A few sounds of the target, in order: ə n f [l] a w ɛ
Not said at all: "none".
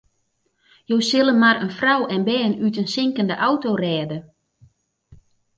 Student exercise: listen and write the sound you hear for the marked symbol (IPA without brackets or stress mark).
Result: r